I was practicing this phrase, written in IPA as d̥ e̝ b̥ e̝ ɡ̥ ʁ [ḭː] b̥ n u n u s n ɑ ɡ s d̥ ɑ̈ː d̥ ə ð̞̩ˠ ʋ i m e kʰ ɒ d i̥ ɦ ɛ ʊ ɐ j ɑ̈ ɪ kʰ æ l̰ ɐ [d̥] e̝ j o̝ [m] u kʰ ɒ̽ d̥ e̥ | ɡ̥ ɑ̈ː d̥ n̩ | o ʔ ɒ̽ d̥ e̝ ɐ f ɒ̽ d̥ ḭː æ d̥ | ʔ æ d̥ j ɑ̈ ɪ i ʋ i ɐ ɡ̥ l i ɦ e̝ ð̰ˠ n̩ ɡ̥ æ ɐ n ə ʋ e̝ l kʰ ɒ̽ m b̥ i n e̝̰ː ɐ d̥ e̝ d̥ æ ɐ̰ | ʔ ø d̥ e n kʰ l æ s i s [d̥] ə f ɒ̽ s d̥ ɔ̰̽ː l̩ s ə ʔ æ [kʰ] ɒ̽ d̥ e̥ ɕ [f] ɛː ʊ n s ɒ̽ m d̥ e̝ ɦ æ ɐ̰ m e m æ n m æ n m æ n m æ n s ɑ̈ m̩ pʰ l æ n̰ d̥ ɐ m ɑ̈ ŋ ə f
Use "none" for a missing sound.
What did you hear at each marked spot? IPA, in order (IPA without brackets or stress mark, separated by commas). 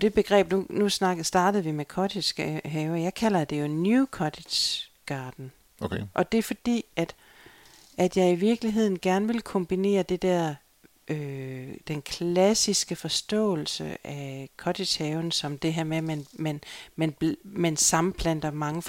ɛ̰ː, d̥, n, ɡ̥, kʰ, h